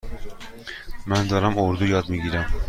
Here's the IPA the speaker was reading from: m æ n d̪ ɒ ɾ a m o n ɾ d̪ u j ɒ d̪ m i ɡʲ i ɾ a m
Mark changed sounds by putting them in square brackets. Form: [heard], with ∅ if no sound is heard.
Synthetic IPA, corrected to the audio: m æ n d̪ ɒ ɾ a m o [∅] ɾ d̪ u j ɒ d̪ m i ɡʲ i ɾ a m